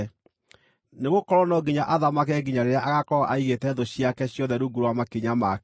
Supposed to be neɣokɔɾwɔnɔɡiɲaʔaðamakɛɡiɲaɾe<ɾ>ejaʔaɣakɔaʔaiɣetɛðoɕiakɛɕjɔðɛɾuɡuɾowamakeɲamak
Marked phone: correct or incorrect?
correct